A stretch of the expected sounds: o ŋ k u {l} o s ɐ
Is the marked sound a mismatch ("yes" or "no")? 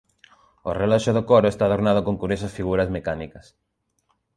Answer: yes